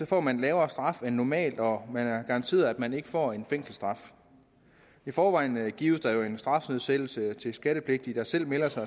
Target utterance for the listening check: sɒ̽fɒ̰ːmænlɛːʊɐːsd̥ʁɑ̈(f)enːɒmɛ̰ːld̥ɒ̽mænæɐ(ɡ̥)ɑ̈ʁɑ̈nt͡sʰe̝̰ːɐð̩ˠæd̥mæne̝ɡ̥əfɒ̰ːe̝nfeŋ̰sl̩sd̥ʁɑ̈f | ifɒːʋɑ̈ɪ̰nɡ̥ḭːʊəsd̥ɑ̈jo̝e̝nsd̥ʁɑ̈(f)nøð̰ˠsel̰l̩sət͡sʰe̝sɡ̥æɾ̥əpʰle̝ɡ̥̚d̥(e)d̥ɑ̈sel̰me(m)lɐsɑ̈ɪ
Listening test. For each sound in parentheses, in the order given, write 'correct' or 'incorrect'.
correct, correct, correct, incorrect, incorrect

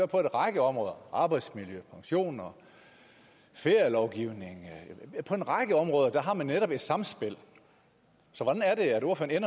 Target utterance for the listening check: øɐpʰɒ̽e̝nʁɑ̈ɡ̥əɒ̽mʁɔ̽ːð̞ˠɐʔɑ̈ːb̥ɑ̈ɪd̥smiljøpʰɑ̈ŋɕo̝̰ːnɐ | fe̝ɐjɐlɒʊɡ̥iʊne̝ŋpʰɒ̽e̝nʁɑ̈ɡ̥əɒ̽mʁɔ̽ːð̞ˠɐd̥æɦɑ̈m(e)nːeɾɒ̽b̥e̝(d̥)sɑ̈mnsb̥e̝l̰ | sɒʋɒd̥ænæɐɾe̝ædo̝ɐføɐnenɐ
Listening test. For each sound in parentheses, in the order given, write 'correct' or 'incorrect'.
incorrect, correct

